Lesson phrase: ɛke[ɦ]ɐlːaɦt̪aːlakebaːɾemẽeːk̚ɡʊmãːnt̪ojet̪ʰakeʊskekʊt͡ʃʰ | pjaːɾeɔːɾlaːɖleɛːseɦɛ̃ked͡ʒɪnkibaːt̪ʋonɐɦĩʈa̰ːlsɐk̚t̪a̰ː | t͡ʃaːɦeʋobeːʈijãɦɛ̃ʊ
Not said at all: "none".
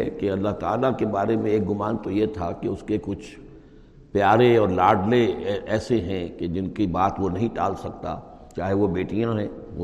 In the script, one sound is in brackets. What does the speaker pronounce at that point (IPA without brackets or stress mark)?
none